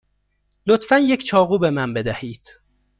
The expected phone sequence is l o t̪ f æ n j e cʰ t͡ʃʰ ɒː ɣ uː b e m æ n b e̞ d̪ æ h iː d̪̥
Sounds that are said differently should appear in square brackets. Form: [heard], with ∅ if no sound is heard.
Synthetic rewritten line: l o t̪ f æ n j e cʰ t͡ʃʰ ɒː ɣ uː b e m æ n b e̞ d̪ æ h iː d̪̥